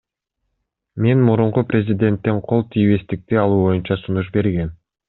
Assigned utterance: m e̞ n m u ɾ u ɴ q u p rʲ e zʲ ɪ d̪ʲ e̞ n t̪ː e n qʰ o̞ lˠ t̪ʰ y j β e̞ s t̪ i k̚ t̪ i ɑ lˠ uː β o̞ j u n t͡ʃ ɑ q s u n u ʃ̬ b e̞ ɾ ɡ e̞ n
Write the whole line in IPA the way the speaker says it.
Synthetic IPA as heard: m e̞ n m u ɾ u ɴ q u p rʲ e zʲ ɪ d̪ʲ e̞ n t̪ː e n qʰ o̞ lˠ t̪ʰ i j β e̞ s t̪ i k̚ t̪ i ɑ lˠ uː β o̞ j u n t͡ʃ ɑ s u n u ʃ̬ b e̞ ɾ ɡ e̞ n